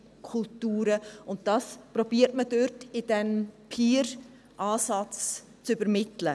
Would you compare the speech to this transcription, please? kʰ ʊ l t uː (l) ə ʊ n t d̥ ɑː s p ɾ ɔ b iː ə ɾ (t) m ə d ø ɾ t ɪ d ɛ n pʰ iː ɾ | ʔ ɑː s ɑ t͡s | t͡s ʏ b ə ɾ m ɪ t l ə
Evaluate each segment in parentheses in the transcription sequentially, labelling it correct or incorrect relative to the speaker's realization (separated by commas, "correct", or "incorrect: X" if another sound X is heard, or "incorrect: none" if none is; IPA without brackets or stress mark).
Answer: incorrect: ɾ, correct